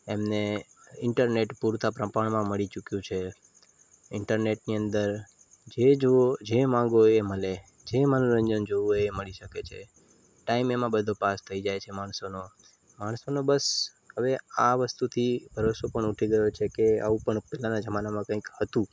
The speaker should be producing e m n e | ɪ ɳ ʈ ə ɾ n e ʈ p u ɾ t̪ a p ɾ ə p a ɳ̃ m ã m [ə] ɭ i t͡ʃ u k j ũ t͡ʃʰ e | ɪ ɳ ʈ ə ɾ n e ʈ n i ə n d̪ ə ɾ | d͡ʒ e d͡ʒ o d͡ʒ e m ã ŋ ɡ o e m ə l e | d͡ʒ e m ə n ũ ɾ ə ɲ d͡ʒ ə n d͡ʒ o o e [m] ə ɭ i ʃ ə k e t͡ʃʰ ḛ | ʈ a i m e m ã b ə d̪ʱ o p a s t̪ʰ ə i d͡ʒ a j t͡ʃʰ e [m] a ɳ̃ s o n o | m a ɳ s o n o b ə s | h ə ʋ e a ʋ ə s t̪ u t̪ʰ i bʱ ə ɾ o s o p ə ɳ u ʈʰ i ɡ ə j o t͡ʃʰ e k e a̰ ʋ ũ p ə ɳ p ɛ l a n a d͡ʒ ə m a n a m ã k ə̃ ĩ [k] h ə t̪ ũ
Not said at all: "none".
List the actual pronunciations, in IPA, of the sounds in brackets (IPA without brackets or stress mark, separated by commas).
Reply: ə, m, m, k